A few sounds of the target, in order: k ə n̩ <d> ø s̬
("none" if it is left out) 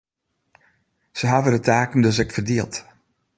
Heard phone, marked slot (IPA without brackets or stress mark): d